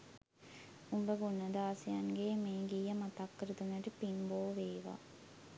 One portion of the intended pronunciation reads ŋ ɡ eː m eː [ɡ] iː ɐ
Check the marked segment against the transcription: correct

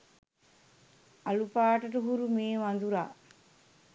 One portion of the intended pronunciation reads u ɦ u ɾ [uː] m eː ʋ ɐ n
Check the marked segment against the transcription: incorrect: u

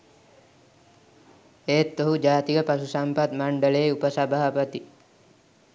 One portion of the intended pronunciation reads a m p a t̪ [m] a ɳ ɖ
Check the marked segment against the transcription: correct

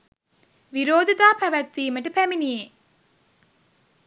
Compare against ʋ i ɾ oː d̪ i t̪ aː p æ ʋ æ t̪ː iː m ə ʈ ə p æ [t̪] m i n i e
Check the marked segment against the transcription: incorrect: none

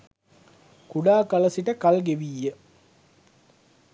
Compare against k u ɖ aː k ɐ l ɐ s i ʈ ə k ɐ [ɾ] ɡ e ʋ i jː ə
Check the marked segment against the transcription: incorrect: l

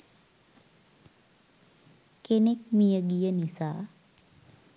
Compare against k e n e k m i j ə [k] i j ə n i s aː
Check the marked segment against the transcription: incorrect: ɡ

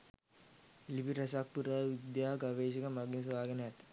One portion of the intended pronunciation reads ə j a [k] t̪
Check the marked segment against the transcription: incorrect: none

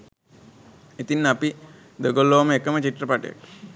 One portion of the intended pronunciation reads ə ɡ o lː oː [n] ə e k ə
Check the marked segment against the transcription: incorrect: m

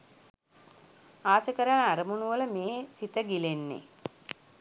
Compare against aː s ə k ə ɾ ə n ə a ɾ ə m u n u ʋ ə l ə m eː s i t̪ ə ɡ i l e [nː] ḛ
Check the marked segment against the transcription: correct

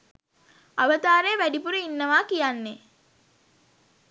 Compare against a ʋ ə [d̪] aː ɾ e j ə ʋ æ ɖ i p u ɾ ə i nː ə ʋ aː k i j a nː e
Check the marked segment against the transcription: incorrect: t̪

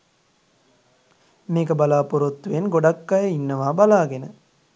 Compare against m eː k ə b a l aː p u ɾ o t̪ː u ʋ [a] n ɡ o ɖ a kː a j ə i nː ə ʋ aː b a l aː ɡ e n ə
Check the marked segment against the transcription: incorrect: e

